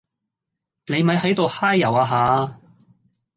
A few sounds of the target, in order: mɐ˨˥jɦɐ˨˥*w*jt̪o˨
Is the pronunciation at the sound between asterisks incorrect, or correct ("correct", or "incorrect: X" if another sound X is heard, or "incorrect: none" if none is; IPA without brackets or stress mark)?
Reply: incorrect: none